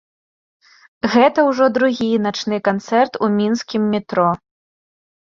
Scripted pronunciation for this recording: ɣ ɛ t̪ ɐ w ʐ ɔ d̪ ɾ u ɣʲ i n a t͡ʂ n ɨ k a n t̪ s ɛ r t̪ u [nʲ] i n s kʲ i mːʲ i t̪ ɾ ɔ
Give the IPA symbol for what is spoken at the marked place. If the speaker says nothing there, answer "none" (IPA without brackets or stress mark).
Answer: mʲ